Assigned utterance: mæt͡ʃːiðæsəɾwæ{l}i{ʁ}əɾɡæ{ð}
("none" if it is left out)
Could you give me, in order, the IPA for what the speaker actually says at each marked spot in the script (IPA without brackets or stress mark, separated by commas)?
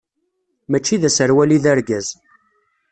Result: l, ð, z